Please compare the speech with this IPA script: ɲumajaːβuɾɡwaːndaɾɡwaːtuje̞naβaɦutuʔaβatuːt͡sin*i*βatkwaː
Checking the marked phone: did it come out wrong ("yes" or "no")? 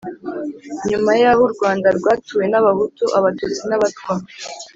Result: yes